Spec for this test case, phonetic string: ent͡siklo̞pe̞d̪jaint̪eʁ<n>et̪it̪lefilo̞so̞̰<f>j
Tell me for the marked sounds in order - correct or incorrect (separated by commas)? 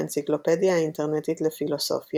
correct, correct